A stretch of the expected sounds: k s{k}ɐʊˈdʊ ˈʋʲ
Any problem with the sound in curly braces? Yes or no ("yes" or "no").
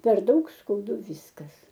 no